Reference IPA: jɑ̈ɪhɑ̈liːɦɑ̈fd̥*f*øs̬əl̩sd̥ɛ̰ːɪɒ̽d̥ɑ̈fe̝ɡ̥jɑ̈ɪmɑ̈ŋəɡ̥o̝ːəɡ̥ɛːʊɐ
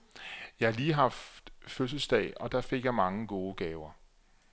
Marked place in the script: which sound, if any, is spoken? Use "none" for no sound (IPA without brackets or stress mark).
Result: f